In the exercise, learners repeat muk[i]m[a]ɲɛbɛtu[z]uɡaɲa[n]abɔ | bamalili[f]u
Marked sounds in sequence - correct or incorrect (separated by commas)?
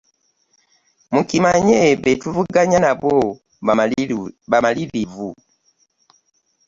correct, correct, incorrect, correct, incorrect